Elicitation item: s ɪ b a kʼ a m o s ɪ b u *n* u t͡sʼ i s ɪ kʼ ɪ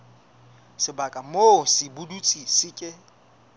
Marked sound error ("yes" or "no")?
yes